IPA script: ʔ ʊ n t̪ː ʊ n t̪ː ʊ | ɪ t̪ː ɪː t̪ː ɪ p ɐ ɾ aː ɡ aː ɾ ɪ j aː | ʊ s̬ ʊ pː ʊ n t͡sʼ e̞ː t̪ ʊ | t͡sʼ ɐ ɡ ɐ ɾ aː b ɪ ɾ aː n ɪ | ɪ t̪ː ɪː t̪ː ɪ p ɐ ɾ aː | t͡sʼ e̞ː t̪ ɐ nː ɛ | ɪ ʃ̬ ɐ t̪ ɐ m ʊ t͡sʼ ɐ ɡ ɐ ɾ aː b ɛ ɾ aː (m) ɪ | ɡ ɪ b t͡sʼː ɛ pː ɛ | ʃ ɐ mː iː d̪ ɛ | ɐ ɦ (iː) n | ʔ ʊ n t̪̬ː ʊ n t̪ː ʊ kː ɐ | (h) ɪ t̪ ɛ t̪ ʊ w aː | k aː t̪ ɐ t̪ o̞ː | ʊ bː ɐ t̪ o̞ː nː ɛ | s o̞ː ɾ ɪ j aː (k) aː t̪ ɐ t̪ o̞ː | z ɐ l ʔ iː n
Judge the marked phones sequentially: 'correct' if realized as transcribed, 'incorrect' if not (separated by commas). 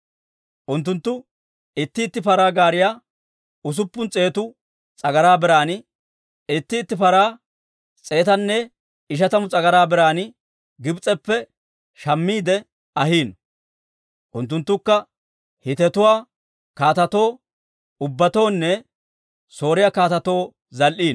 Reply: incorrect, correct, correct, correct